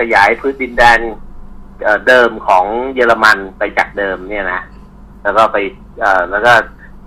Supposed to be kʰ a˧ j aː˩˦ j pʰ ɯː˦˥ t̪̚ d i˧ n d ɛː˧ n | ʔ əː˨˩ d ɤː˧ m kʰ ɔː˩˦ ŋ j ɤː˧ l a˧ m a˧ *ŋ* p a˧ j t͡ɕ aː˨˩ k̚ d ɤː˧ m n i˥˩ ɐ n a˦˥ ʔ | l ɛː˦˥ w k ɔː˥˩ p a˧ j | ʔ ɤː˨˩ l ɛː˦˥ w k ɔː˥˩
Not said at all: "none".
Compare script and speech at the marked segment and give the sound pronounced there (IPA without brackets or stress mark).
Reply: n